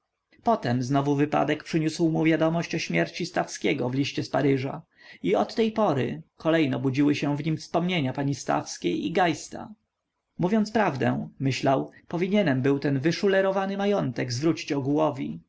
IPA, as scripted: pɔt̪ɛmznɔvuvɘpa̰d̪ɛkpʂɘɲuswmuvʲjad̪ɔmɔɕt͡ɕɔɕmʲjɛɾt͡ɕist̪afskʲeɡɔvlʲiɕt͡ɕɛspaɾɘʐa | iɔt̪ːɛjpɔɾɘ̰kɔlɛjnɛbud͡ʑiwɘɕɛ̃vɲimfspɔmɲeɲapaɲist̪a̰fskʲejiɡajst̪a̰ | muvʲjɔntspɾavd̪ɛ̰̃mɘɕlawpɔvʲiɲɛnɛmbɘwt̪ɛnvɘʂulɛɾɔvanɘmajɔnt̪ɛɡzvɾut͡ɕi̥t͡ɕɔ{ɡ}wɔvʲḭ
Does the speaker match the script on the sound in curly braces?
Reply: yes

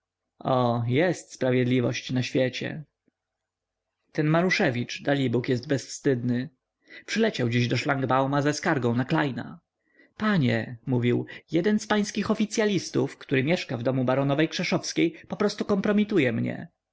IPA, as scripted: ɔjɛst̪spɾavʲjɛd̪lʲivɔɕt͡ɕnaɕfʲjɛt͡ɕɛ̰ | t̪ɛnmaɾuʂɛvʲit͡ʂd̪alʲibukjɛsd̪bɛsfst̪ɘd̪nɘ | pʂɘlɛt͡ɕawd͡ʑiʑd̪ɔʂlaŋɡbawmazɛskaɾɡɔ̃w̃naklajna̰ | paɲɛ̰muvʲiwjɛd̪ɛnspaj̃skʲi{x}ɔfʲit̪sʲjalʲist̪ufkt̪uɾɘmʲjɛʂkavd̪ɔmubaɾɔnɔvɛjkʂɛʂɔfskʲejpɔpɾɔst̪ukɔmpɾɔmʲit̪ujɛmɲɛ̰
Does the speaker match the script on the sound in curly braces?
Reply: yes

